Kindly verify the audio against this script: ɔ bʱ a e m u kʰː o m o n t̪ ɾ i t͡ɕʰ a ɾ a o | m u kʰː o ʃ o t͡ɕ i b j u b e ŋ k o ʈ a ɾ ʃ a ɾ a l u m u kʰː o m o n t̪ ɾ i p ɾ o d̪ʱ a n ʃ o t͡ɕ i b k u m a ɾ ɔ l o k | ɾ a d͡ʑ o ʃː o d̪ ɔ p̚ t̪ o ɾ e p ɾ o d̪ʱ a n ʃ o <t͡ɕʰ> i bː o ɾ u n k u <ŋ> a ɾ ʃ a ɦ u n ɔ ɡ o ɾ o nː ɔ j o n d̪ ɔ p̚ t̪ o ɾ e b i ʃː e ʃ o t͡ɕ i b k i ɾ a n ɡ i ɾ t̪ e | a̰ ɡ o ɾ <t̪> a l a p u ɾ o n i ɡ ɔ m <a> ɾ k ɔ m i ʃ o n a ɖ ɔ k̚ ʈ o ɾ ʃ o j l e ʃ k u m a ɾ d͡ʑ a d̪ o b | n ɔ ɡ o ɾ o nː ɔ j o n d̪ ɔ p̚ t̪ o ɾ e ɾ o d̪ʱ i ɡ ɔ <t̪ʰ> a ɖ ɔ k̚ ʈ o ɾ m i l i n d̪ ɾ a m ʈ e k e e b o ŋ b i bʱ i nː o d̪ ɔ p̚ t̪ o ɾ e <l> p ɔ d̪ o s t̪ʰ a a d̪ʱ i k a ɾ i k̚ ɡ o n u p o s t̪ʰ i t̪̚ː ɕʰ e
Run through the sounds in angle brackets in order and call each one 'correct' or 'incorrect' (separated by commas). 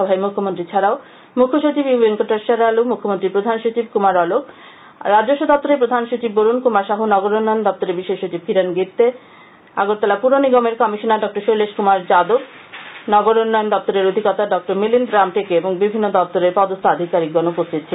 incorrect, incorrect, correct, incorrect, incorrect, incorrect